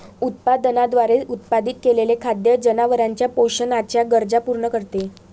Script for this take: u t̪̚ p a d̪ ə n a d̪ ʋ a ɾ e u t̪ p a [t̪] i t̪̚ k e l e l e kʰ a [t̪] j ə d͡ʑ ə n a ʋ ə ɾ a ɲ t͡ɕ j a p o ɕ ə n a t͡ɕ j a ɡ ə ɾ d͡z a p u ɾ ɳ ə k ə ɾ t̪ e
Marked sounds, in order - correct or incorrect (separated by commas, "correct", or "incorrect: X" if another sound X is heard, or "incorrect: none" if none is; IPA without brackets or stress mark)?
incorrect: d̪, incorrect: d̪